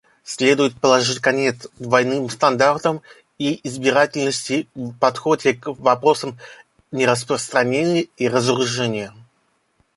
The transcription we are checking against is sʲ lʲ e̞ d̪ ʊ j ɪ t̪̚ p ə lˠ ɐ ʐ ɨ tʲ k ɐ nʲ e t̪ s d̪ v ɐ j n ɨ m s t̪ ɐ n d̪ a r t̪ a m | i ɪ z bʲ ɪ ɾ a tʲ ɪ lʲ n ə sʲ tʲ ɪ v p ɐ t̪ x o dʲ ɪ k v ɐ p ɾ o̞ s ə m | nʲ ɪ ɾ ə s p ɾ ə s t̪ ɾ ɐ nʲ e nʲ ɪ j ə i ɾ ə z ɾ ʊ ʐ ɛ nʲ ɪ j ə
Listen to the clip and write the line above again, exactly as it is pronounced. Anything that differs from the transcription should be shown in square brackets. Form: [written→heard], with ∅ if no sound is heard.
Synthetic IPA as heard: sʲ lʲ e̞ d̪ ʊ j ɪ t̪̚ p ə lˠ ɐ ʐ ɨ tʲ k ɐ nʲ e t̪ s d̪ v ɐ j n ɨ m s t̪ ɐ n d̪ a r t̪ [a→ə] m | i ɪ z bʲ ɪ ɾ a tʲ ɪ lʲ n ə sʲ tʲ ɪ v p ɐ t̪ x o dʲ ɪ k v ɐ p ɾ o̞ s ə m | nʲ ɪ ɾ ə s p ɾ ə s t̪ ɾ ɐ nʲ e nʲ ɪ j ə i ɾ ə z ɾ ʊ ʐ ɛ nʲ ɪ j ə

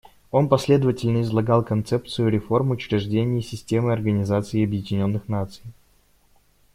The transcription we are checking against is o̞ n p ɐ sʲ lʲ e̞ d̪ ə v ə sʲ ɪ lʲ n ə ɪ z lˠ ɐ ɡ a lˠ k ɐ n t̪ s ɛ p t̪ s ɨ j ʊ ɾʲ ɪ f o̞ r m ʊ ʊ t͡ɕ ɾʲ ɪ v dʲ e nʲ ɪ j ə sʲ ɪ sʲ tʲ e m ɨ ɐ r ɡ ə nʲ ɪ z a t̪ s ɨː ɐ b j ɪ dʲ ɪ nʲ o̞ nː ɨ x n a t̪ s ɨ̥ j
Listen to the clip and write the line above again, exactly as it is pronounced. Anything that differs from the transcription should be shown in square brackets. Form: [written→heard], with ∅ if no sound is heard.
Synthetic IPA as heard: o̞ n p ɐ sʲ lʲ e̞ d̪ ə v ə [sʲ→tʲ] ɪ lʲ n ə ɪ z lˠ ɐ ɡ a lˠ k ɐ n t̪ s ɛ p t̪ s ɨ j ʊ ɾʲ ɪ f o̞ r m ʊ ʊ t͡ɕ ɾʲ ɪ [v→ʐ] dʲ e nʲ ɪ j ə sʲ ɪ sʲ tʲ e m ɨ ɐ r ɡ ə nʲ ɪ z a t̪ s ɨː ɐ b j ɪ dʲ ɪ nʲ o̞ nː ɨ x n a t̪ s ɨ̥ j

